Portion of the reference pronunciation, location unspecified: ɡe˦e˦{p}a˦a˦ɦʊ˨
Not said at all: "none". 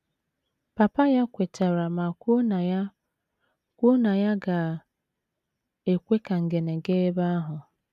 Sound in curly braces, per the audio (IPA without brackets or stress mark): b